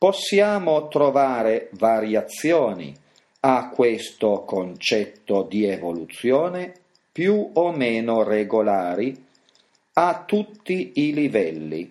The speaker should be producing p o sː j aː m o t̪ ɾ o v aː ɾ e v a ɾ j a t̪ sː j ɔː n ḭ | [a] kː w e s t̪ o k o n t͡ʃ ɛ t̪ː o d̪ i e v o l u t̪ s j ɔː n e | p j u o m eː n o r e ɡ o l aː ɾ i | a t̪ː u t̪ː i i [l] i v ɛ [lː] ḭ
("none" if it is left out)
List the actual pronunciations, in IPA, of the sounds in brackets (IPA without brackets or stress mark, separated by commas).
a, l, lː